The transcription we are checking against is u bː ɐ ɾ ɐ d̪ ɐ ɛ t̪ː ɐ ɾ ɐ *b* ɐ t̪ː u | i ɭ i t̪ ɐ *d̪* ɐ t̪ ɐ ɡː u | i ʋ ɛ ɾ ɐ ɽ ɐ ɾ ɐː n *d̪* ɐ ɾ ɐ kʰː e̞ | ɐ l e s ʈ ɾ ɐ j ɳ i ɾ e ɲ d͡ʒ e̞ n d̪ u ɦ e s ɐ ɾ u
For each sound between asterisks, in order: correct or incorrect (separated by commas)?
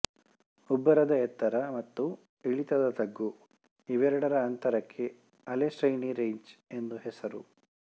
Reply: incorrect, correct, incorrect